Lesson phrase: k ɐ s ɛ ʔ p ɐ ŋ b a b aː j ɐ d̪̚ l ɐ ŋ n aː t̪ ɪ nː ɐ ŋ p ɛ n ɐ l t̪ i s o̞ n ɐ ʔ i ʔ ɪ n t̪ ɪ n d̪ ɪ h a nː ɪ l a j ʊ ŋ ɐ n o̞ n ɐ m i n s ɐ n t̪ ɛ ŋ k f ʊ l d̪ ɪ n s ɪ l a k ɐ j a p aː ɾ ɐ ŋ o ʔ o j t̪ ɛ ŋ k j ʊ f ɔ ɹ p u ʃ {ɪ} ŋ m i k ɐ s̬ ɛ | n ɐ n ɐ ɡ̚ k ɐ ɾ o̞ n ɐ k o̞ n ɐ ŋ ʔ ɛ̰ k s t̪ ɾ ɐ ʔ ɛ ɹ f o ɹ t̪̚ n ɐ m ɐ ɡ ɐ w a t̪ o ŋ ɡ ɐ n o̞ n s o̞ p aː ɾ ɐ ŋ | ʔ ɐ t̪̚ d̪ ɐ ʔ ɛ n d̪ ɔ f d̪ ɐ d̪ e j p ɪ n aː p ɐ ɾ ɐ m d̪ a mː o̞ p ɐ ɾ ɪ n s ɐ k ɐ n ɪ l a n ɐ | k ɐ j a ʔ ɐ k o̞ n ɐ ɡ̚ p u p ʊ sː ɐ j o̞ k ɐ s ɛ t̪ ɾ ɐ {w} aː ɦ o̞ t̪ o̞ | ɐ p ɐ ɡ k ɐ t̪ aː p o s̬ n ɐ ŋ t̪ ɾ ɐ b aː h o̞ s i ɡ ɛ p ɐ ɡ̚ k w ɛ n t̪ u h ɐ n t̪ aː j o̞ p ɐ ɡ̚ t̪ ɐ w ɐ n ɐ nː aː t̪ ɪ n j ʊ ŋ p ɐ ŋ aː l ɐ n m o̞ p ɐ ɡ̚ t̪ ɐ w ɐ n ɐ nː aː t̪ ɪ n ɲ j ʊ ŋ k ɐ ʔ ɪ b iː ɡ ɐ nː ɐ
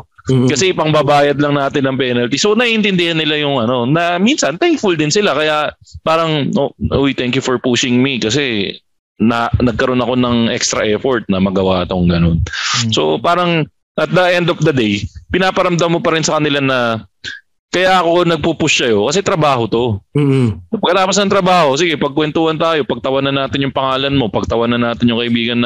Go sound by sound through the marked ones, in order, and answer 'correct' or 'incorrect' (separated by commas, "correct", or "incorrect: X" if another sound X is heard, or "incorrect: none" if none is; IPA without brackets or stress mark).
correct, incorrect: b